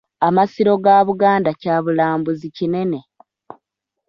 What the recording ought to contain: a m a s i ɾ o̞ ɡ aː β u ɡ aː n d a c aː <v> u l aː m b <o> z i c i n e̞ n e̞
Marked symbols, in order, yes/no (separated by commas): no, no